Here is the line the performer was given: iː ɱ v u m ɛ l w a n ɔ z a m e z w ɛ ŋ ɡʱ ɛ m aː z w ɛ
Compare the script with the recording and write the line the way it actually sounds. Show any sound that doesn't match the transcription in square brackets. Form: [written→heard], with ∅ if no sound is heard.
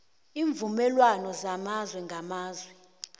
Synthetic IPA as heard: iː ɱ v u m ɛ l w a n ɔ z a m [e→a] z w ɛ ŋ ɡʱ [ɛ→a] m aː z w ɛ